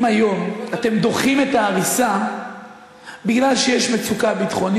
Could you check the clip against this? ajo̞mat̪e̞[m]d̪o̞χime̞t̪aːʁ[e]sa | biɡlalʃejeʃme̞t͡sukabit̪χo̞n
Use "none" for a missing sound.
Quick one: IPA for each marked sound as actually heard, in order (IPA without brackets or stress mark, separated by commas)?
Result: m, i